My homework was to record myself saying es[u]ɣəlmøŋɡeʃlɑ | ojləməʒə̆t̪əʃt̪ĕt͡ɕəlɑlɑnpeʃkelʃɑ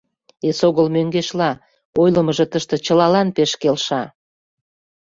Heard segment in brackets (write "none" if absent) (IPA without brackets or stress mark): o